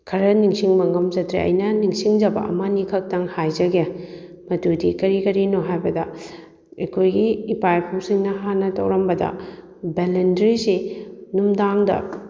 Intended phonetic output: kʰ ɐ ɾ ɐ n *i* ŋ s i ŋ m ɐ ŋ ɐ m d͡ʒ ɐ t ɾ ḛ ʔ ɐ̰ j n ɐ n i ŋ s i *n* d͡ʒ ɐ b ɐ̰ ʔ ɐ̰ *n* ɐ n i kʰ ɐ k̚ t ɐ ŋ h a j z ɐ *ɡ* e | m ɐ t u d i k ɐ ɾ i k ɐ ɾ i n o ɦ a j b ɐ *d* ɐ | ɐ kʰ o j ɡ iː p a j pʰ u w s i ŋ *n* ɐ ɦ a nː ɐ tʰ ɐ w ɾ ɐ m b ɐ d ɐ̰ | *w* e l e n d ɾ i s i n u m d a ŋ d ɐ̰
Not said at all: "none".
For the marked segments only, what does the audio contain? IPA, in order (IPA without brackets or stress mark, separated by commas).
i, ŋ, m, ɡ, d, n, b